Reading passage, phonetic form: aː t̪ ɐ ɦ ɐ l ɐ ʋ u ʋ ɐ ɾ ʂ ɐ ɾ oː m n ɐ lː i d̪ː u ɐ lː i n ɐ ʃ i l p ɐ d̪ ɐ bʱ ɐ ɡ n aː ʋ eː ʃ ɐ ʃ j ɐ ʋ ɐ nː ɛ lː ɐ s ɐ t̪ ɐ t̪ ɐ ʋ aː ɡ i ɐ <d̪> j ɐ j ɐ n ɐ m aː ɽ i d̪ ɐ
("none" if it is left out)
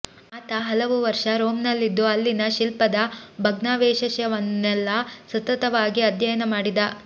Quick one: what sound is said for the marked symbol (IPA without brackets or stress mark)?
d̪